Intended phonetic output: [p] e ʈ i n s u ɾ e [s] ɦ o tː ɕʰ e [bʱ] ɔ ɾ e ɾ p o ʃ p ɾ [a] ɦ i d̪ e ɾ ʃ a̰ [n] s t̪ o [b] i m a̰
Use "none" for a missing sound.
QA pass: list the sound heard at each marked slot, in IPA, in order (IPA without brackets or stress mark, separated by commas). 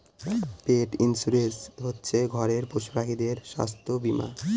p, s, ɡʱ, a, none, b